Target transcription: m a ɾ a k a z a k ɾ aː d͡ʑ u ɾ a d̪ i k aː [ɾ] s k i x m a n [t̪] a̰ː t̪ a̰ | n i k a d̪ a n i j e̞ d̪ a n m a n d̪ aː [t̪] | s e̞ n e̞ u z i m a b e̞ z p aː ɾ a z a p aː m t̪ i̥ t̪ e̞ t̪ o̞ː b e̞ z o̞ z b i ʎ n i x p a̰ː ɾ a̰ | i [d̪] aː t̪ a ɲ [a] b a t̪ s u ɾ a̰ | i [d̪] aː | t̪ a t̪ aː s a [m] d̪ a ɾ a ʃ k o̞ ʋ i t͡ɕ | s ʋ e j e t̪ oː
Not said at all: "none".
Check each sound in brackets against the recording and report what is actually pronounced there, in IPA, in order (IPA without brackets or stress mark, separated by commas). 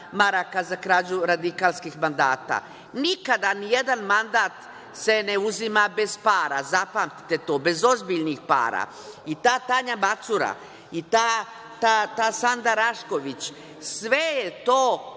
l, d̪, t̪, t̪, a, t̪, n